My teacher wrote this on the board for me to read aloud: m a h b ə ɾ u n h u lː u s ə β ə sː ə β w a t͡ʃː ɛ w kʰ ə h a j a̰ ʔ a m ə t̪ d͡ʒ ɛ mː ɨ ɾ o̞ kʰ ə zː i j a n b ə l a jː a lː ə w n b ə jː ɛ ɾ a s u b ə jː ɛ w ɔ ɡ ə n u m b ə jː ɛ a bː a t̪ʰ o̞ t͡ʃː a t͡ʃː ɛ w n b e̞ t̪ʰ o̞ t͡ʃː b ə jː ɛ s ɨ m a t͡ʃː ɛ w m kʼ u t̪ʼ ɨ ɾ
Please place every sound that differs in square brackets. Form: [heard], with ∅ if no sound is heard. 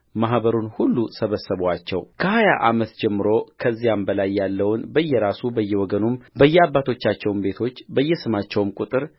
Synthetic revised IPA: m a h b ə ɾ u n h u lː u s ə β ə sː ə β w a t͡ʃː ɛ w kʰ ə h a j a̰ ʔ a m ə t̪ d͡ʒ ɛ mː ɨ ɾ o̞ kʰ ə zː i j a [m] b ə l a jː a lː ə w n b ə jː ɛ ɾ a s u b ə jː ɛ w ɔ ɡ ə n u m b ə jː ɛ a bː a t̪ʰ o̞ t͡ʃː a t͡ʃː ɛ w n b e̞ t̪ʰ o̞ t͡ʃː b ə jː ɛ s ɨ m a t͡ʃː ɛ w m kʼ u t̪ʼ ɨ ɾ